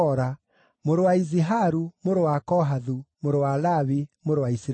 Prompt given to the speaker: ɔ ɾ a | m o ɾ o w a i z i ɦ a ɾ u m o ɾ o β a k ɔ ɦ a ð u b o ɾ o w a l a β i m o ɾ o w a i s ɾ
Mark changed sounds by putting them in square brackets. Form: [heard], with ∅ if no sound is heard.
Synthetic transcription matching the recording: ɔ ɾ a | m o ɾ o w a i z i ɦ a ɾ u m o ɾ o [w] a k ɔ ɦ a ð u [m] o ɾ o w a l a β i m o ɾ o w a i s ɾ

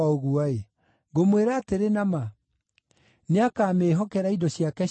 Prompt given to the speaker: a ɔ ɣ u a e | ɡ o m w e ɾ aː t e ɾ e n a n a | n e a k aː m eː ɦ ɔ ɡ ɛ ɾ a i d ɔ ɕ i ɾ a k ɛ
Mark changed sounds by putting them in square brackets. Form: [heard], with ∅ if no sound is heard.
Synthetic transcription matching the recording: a [o] ɣ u a e | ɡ o m w e ɾ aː t e ɾ e n a [m] a | n e a k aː m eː ɦ ɔ [k] ɛ ɾ a i d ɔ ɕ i [∅] a k ɛ

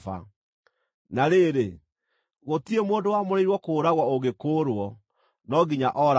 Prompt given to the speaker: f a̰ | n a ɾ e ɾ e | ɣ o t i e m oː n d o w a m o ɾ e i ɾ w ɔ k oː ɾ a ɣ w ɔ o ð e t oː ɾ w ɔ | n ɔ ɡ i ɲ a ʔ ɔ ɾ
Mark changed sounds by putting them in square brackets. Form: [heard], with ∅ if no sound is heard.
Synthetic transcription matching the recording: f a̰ | n a ɾ e ɾ e | ɣ o t i e m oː n d o w a m o ɾ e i ɾ w ɔ k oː ɾ a ɣ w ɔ o [ɣ] e [k] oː ɾ w ɔ | n ɔ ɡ i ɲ a ʔ ɔ ɾ

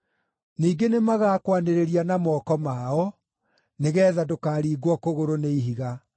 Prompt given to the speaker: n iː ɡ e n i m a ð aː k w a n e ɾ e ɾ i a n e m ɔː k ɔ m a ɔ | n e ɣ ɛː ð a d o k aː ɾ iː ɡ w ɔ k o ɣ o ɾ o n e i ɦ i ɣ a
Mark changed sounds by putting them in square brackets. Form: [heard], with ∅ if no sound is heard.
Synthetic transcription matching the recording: n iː ɡ e n [e] m a [ɣ] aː k w a n e ɾ e ɾ i a n [a] m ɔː k ɔ m a ɔ | n e ɣ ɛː ð a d o k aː ɾ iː ɡ w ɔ k o ɣ o ɾ o n e i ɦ i ɣ a

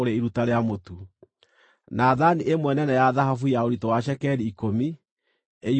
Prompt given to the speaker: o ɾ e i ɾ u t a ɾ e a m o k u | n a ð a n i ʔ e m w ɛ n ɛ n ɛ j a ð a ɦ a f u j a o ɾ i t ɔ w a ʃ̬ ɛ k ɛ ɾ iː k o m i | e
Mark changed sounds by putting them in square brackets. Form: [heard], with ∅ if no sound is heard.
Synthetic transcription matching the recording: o ɾ e i ɾ u t a ɾ e a m o [t] u | n a ð a n i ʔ e m w ɛ n ɛ n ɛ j a ð a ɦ a f u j a o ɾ i t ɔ w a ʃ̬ ɛ k ɛ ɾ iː k o m i | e

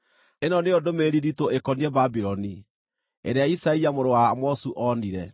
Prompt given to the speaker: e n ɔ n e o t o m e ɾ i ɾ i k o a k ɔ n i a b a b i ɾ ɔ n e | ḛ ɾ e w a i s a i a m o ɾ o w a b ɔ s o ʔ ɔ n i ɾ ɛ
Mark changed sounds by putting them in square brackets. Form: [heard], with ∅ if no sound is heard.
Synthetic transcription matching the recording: e n ɔ n e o [d] o m e ɾ i ɾ i [t] o [e] k ɔ n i [ɛ] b a b i ɾ ɔ n [i] | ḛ ɾ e [∅] a i s a i a m o ɾ o w a [m] ɔ s [u] ʔ ɔ n i ɾ ɛ

